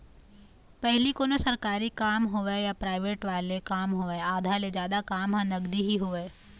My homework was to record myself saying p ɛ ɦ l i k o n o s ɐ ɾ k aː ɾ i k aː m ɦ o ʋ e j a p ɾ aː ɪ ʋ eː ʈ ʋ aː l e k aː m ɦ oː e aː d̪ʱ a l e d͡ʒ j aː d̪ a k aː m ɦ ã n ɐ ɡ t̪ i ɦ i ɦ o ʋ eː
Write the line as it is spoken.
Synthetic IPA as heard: p ɛ ɦ l i k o n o s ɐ ɾ k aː ɾ i k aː m ɦ o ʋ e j a p ɾ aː ɪ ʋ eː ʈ ʋ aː l e k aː m ɦ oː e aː d̪ʱ a l e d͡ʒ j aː d̪ a k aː m ɦ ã n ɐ ɡ d̪ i ɦ i ɦ o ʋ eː